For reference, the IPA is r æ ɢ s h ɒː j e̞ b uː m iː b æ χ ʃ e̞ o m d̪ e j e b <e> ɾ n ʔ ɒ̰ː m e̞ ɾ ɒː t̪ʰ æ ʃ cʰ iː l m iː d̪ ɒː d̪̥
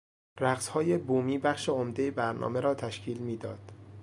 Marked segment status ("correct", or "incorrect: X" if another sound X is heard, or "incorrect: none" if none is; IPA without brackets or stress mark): incorrect: æ